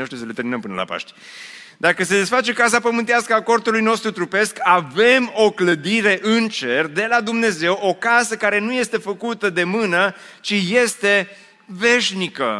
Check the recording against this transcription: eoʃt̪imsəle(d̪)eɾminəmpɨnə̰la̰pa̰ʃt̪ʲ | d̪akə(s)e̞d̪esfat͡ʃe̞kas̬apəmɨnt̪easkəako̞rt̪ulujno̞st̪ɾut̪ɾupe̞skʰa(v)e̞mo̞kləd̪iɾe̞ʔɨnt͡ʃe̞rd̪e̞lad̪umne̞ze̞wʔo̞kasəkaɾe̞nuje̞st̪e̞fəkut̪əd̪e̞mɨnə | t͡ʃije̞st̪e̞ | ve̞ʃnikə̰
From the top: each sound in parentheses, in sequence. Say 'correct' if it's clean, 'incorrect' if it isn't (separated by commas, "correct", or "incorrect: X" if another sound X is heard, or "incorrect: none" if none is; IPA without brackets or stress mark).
incorrect: t̪, correct, correct